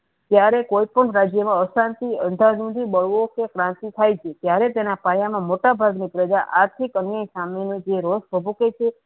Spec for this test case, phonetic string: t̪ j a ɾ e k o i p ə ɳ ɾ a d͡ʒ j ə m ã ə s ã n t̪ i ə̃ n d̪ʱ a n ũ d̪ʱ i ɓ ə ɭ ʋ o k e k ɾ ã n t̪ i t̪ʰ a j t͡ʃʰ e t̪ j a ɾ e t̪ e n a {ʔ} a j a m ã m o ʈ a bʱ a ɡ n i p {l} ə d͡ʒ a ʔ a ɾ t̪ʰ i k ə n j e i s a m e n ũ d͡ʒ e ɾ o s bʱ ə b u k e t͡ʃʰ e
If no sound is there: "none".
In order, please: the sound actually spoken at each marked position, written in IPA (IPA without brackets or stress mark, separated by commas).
p, ɾ